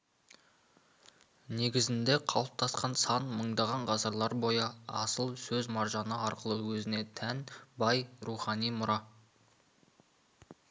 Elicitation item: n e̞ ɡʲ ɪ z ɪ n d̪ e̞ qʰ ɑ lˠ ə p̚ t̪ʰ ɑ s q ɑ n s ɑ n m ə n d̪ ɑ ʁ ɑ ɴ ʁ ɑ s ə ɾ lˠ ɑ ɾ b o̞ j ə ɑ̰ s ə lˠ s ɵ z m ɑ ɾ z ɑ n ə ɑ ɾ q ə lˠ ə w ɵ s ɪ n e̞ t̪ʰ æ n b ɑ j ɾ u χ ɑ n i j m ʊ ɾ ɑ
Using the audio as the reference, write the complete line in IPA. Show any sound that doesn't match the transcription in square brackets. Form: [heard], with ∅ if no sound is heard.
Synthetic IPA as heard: n e̞ ɡʲ ɪ z ɪ n d̪ e̞ qʰ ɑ lˠ ə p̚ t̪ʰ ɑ s q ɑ n s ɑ n m ə [ɴ] d̪ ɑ ʁ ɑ ɴ ʁ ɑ s ə ɾ lˠ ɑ ɾ b o̞ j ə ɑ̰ s ə lˠ s ɵ z m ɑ ɾ [ʒ] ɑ n ə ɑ ɾ q ə lˠ ə w ɵ [z] ɪ n e̞ t̪ʰ æ n b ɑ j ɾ u χ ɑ n i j m ʊ ɾ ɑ